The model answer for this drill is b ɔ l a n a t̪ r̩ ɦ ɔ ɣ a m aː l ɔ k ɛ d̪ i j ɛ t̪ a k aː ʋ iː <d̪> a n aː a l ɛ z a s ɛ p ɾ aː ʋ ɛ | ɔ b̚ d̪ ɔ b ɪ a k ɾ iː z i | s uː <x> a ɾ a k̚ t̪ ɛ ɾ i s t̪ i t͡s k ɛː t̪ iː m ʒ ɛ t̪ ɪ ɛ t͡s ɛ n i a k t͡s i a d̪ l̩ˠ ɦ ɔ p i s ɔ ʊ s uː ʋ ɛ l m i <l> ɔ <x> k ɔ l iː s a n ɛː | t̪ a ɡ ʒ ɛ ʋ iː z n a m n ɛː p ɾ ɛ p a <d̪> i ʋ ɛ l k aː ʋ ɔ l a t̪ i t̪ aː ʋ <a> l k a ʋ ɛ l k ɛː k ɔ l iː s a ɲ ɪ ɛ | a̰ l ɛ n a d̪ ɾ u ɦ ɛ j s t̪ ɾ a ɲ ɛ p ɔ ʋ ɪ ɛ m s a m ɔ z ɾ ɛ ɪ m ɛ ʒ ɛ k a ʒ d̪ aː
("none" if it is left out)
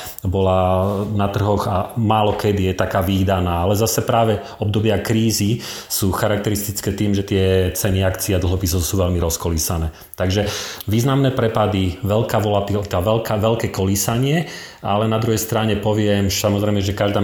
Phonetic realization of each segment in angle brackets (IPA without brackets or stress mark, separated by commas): d̪, x, ɾ, s, d̪, ɛ